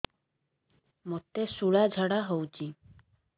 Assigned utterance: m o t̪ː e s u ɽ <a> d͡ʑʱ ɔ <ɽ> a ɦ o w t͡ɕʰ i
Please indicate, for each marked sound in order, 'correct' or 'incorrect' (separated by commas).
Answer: correct, correct